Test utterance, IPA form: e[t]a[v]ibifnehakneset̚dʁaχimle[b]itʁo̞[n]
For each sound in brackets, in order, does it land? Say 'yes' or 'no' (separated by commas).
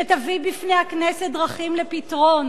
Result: yes, yes, no, yes